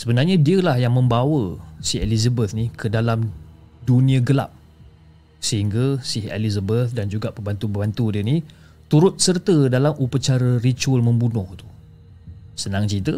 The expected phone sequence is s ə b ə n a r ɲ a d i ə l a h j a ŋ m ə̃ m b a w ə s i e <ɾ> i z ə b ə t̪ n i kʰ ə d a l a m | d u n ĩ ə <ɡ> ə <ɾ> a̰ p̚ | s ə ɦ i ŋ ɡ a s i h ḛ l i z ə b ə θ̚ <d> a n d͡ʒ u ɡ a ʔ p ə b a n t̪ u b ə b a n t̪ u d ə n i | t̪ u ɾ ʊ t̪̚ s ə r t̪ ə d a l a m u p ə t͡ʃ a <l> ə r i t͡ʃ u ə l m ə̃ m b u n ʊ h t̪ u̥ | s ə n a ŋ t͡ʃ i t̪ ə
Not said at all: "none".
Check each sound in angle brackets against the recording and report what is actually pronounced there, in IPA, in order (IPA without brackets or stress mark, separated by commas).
l, ɡ, l, d, ɾ